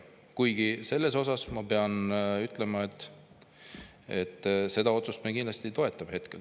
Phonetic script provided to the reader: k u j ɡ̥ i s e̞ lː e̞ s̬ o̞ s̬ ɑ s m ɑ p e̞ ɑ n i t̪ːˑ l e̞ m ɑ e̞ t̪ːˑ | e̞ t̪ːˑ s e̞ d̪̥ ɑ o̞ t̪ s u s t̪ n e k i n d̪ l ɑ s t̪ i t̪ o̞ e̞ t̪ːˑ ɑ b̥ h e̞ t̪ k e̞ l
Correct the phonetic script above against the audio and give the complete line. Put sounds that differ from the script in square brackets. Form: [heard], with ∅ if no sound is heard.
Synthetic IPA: k u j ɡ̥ i s e̞ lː e̞ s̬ o̞ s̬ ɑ s m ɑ p e̞ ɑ n [y] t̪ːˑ l e̞ m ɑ e̞ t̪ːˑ | e̞ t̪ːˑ s e̞ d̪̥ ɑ o̞ t̪ s u s t̪ [m] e k i n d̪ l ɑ s t̪ i t̪ o̞ e̞ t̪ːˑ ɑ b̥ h e̞ t̪ k e̞ l